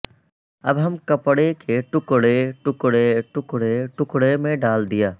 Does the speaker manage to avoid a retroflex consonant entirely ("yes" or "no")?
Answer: no